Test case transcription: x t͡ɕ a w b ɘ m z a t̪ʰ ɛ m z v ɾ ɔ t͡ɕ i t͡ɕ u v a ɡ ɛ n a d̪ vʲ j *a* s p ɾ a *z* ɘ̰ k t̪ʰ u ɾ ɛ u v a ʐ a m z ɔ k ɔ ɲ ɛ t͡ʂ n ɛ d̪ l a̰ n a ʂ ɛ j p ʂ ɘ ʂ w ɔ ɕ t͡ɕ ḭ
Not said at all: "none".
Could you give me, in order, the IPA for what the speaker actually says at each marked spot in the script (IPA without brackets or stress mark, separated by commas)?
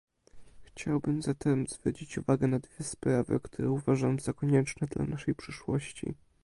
ɛ, v